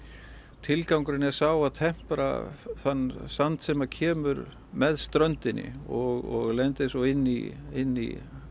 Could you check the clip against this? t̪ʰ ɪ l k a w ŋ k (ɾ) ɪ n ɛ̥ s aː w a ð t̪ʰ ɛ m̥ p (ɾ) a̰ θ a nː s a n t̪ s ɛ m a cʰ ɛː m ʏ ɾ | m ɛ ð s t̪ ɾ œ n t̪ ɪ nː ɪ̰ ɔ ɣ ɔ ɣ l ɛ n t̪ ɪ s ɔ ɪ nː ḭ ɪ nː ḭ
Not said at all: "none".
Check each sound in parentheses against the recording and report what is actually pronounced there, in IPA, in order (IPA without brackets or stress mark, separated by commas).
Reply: ɾ, ɾ